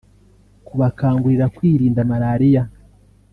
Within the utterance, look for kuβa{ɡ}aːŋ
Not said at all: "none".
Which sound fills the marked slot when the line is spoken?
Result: k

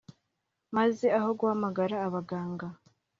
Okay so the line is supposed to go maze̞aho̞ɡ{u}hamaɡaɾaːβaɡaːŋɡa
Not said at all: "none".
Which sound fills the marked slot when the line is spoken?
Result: w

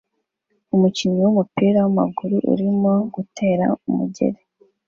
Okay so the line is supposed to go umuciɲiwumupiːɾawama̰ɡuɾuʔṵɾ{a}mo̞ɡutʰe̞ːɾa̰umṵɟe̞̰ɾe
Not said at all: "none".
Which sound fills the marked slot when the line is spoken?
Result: i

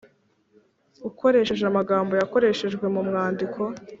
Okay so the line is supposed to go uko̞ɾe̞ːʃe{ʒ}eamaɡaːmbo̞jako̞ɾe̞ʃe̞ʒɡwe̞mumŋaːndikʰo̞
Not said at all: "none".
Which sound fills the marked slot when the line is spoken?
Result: ʒ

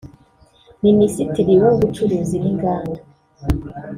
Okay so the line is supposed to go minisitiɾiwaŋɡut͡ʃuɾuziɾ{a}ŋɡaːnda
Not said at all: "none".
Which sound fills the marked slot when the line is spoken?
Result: i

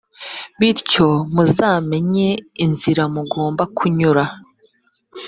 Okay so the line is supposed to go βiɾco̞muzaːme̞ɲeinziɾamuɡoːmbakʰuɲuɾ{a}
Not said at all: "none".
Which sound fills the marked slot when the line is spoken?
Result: a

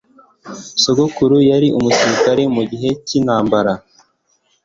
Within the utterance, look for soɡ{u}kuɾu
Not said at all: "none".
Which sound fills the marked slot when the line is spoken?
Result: o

